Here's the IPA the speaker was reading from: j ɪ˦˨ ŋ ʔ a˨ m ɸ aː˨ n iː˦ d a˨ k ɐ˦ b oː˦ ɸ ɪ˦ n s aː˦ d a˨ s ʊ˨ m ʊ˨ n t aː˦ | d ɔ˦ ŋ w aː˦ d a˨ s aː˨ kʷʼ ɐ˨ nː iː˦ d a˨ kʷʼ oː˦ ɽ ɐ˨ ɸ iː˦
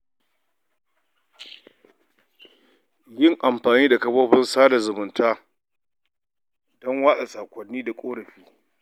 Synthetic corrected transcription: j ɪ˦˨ ŋ ʔ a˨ m ɸ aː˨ n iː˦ d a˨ k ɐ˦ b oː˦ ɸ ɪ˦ n s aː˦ d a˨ z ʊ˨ m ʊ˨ n t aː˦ | d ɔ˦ ŋ w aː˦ ɗ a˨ s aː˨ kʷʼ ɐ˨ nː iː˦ d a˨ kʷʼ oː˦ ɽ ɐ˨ ɸ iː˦